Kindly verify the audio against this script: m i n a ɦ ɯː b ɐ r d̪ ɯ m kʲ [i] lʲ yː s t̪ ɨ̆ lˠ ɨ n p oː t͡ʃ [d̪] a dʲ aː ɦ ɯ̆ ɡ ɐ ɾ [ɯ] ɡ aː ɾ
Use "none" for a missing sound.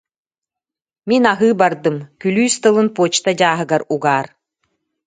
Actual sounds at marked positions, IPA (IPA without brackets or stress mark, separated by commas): y, t̪, u